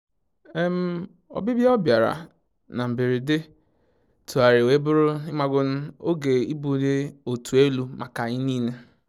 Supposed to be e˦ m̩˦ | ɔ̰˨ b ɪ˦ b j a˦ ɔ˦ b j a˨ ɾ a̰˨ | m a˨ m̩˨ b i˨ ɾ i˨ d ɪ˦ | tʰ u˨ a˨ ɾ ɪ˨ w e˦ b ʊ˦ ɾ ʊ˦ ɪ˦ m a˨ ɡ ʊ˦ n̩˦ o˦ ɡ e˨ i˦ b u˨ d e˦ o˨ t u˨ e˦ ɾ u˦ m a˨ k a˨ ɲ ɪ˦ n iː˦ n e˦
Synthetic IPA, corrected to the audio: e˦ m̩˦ | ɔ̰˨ b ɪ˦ b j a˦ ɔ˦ b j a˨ ɾ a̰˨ | n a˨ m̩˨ b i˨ ɾ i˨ d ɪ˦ | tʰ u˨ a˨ ɾ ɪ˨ w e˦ b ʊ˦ ɾ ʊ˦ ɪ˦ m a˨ ɡ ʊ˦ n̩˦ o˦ ɡ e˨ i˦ b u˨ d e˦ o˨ t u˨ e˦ l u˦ m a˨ k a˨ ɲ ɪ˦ n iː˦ n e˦